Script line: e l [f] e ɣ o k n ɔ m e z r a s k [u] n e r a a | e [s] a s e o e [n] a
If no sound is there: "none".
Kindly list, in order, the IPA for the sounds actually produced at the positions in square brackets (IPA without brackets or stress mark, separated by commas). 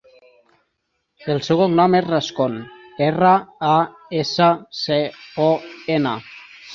s, o, s, n